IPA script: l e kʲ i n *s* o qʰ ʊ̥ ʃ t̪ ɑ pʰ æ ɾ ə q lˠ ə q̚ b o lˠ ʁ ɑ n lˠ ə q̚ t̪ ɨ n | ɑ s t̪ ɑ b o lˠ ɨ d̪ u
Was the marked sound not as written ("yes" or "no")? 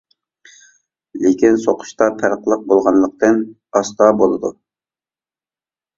no